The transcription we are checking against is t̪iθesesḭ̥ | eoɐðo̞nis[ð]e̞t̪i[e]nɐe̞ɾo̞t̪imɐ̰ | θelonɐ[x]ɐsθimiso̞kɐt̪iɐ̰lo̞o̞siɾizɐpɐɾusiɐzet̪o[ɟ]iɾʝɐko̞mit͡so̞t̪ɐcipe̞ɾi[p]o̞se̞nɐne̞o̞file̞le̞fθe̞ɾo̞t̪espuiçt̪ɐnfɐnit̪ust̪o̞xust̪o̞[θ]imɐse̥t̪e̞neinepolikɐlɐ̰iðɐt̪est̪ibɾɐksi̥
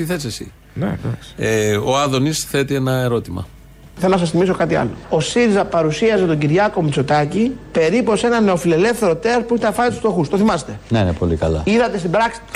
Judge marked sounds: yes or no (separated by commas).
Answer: no, yes, no, yes, yes, yes